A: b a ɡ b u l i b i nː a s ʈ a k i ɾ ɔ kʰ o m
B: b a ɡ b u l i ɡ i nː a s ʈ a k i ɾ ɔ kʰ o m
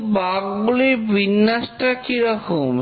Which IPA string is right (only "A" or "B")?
A